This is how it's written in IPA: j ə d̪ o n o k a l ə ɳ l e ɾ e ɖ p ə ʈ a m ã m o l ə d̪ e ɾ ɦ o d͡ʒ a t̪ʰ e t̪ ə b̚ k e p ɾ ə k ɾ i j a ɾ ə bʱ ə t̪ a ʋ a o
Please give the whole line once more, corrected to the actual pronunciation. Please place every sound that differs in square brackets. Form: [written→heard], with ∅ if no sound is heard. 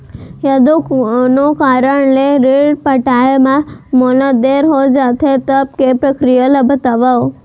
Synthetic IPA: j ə d̪ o n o k a [l→ɾ] ə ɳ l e ɾ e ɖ p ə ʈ a m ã m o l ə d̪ e ɾ ɦ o d͡ʒ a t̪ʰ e t̪ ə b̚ k e p ɾ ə k ɾ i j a [ɾ→l] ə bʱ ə t̪ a ʋ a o